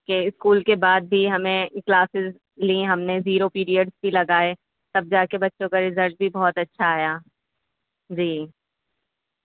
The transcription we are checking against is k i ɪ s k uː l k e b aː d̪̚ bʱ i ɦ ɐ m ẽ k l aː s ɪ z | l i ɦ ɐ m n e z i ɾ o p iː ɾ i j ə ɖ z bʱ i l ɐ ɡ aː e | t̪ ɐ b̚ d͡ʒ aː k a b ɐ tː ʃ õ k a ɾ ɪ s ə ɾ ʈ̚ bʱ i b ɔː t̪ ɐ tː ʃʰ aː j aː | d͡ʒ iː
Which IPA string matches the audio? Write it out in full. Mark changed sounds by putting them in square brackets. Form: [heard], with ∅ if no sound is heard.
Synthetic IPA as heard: k [e] ɪ s k uː l k e b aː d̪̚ bʱ i ɦ ɐ m ẽ k l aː s ɪ z | l i ɦ ɐ m n e z [iː] ɾ o p iː ɾ i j ə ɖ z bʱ i l ɐ ɡ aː e | t̪ ɐ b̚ d͡ʒ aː k [e] b ɐ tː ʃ õ k a ɾ ɪ [z] ə ɾ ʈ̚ bʱ i b ɔː t̪ ɐ tː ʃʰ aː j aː | d͡ʒ iː